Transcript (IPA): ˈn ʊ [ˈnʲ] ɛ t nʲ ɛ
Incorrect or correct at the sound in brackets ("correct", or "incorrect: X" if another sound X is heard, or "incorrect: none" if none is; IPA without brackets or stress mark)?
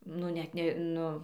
correct